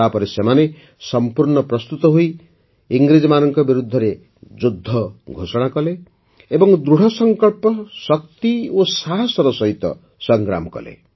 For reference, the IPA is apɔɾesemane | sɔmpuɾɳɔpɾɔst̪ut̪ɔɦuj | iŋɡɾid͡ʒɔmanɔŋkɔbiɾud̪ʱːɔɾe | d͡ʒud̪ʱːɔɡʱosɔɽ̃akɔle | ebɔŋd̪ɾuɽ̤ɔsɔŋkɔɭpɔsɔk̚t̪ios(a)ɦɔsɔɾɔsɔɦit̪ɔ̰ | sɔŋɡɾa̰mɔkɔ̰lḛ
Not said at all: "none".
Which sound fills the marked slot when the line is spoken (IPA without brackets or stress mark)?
a